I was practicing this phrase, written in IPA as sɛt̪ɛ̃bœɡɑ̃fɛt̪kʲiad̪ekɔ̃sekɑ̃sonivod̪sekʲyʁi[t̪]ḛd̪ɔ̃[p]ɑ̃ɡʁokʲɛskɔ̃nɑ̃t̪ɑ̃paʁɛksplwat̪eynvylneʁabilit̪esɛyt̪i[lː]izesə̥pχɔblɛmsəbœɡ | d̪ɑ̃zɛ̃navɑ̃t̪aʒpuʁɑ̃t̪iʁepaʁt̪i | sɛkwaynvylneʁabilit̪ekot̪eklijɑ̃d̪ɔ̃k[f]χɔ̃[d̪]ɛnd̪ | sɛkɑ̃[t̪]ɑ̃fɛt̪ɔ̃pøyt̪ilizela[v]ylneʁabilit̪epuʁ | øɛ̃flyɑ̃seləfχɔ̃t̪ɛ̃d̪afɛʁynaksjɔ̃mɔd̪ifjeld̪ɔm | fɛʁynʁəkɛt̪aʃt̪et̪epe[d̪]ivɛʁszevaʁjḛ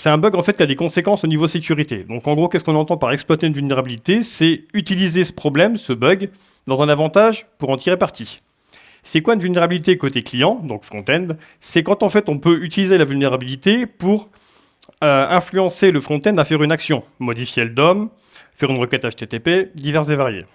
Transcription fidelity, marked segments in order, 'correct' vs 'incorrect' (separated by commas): correct, incorrect, incorrect, correct, incorrect, correct, correct, correct